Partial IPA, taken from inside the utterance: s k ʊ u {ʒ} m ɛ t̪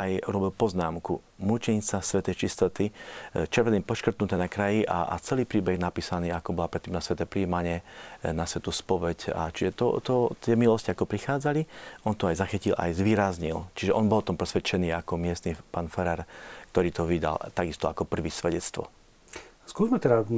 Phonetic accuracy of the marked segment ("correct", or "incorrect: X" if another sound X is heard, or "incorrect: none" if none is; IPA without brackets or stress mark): incorrect: z